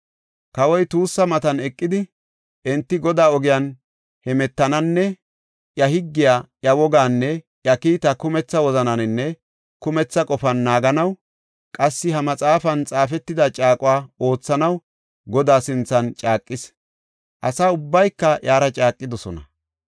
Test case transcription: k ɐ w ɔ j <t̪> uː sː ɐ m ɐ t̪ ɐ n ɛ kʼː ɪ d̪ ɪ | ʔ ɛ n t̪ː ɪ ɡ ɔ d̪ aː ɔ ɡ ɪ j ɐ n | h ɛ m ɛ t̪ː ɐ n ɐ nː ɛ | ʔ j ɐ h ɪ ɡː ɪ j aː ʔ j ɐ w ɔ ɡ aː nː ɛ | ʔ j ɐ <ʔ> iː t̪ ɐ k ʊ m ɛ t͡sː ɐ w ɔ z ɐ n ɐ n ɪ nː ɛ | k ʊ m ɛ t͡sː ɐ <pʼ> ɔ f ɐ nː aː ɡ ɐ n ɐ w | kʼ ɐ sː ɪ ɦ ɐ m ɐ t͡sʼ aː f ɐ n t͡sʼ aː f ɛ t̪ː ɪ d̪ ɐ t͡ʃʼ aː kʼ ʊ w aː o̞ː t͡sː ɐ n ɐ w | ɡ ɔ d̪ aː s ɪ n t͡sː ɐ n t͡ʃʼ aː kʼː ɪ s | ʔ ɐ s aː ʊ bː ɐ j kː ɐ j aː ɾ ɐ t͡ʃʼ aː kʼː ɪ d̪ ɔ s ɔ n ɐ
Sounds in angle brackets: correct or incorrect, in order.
correct, incorrect, incorrect

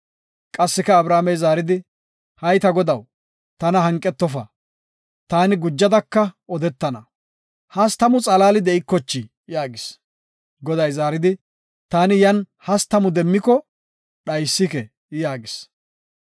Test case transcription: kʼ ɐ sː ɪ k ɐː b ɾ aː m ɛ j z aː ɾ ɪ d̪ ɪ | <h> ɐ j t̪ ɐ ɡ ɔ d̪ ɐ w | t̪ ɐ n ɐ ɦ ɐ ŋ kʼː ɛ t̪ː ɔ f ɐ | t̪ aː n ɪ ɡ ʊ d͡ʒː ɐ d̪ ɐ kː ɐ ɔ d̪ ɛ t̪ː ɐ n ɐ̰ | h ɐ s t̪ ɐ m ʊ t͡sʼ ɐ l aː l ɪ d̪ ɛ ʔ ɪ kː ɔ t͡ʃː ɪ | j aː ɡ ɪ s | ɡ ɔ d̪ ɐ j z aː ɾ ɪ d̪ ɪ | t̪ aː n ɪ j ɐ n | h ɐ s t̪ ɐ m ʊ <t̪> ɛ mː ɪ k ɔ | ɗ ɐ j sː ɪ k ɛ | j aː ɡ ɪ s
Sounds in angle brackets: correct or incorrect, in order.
correct, incorrect

